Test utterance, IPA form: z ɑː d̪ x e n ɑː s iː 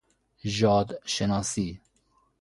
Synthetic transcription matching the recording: ʒ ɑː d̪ ʃ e n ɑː s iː